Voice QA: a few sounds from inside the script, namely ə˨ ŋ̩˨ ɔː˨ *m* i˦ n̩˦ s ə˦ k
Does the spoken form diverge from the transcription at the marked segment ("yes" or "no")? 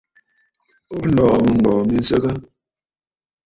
no